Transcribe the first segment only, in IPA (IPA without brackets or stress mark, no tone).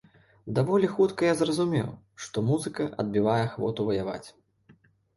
d̪